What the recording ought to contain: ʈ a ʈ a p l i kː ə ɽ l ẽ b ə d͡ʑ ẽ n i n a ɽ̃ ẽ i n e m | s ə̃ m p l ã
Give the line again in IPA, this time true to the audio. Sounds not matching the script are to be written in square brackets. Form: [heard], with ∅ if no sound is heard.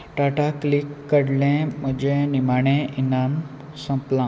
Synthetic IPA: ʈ a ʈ a [k] l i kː ə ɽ l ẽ [m] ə d͡ʑ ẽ n i [m] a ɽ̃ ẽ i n [a] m | s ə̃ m p l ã